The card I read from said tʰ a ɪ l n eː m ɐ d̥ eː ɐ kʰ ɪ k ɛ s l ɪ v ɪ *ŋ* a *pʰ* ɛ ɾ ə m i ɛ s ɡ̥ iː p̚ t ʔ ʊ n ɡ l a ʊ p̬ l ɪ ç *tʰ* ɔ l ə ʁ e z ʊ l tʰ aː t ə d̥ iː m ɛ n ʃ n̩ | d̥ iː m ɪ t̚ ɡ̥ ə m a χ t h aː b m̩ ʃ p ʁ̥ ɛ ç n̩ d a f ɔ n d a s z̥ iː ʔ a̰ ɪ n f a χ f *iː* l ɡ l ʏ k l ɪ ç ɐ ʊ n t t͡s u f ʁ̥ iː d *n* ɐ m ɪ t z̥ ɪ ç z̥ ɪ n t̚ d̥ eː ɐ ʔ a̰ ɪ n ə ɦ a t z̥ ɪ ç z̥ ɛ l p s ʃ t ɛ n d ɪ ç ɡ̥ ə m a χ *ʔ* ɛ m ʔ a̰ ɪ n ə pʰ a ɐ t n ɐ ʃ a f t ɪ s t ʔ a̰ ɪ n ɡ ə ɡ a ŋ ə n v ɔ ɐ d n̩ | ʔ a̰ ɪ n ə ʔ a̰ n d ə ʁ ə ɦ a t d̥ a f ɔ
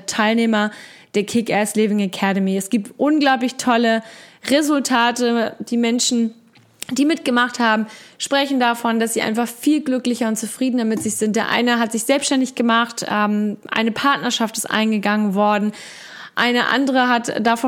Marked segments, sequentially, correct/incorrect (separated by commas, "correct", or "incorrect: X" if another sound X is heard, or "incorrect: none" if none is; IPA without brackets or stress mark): correct, incorrect: kʰ, correct, correct, correct, incorrect: t